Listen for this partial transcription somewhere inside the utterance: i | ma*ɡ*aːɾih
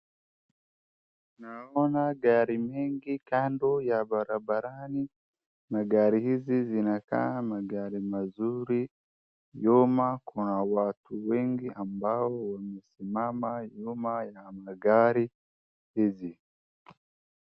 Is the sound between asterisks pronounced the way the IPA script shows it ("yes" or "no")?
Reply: yes